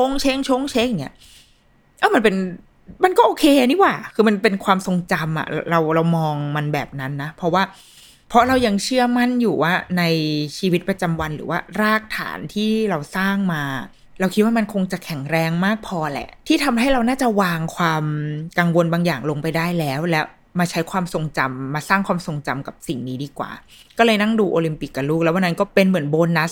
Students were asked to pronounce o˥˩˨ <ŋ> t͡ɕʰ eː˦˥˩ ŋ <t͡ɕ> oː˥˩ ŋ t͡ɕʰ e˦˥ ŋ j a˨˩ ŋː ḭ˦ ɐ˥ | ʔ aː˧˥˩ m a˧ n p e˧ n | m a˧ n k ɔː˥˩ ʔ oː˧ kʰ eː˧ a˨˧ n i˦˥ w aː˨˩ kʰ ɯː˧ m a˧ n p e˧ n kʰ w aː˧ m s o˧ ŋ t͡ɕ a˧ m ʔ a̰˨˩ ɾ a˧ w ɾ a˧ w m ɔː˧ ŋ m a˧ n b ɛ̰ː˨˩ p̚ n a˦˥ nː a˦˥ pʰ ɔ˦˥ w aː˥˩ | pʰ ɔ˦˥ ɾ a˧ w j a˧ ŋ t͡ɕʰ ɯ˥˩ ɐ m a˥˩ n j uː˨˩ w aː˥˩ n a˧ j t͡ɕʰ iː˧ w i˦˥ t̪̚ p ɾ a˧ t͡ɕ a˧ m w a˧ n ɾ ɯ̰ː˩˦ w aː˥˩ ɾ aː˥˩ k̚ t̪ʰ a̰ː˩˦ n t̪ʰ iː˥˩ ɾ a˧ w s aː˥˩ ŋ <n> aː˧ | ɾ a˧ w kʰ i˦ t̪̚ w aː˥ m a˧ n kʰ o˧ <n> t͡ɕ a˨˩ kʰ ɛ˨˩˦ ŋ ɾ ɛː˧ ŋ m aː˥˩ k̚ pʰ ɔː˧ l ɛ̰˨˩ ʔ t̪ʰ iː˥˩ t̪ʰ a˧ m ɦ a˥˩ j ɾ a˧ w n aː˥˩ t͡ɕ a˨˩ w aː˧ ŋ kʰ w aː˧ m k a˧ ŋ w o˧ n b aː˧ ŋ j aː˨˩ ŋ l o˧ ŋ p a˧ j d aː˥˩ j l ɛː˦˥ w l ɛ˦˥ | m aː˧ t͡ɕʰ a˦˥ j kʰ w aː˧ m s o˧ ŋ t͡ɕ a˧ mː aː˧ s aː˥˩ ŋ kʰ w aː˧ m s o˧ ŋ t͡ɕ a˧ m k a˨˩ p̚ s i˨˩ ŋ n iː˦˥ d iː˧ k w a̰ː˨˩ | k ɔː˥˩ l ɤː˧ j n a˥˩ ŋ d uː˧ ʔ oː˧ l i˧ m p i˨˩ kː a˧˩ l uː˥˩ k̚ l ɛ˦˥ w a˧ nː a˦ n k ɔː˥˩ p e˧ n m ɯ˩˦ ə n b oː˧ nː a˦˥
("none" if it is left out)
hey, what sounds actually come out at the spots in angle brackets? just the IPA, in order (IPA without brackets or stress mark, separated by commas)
ŋ, t͡ɕʰ, m, ŋ